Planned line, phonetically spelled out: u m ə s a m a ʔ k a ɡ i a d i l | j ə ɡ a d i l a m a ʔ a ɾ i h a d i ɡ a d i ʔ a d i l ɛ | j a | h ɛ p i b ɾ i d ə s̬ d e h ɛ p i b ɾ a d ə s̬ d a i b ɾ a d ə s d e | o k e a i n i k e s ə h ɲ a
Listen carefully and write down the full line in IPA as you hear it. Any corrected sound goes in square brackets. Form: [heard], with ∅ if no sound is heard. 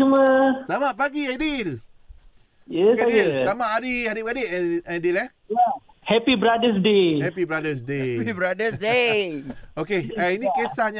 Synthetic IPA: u m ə s a m a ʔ [p] a ɡ i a d i l | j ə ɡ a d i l a m a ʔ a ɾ i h a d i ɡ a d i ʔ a d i l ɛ | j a | h ɛ p i b ɾ [a] d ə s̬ d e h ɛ p i b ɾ a d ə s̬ d [e] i b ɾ a d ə s d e | o k e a i n i k e s [a] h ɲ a